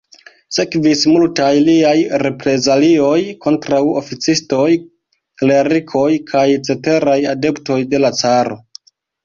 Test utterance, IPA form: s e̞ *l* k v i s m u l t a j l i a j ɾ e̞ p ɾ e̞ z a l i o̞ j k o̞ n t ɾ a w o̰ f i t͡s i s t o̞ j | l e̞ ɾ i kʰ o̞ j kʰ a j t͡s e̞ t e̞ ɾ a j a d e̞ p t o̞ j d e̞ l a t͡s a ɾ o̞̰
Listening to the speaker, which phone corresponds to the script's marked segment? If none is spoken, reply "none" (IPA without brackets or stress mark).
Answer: none